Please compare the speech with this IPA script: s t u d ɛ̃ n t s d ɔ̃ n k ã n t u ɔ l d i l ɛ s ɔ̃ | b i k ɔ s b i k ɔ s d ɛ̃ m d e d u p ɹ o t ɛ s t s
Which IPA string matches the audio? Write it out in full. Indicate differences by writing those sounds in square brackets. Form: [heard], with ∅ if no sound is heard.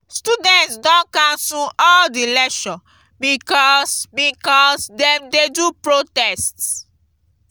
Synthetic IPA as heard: s t u d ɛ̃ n t s d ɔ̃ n k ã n [s] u ɔ l d i l ɛ [ʃ] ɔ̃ | b i k ɔ s b i k ɔ s d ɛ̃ m d e d u p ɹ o t ɛ s t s